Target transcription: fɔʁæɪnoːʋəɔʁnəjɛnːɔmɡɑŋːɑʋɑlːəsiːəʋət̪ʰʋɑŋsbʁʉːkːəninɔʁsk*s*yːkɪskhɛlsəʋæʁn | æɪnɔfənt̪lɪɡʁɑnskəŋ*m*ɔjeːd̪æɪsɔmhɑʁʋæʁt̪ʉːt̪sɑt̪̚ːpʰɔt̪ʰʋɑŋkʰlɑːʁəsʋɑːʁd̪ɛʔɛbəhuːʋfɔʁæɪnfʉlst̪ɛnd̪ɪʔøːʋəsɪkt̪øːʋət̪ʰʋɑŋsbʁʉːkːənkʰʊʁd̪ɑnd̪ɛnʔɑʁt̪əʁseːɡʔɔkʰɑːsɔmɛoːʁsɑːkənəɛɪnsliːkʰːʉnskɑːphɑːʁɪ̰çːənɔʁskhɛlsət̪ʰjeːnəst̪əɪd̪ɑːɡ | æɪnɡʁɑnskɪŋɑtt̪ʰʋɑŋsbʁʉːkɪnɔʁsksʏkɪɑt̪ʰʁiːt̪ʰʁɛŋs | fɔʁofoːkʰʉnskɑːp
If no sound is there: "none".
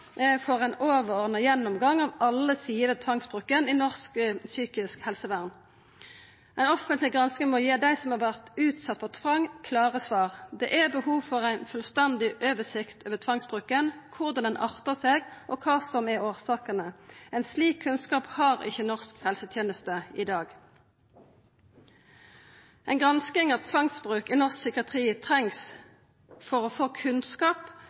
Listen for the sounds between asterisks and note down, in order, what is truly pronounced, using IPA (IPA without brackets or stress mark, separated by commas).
s, m